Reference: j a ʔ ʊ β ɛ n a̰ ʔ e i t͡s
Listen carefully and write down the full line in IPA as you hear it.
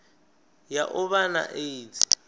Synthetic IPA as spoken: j a ʔ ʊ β a n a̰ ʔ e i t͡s

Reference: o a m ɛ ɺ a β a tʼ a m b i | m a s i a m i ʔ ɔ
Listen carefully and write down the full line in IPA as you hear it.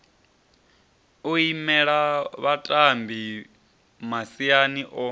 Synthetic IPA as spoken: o i m ɛ ɺ a β a tʼ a m b i | m a s i a n i ʔ ɔ

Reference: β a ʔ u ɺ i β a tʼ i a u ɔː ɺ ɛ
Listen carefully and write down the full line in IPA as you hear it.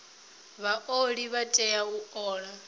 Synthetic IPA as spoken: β a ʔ o ɺ i β a tʼ ɛ a u ɔː ɺ a

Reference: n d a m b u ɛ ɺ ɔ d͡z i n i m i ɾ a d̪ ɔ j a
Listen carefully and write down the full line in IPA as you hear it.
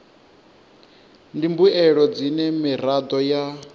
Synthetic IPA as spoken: n d i m b u ɛ ɺ ɔ d͡z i n ɛ m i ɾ a d̪ ɔ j a

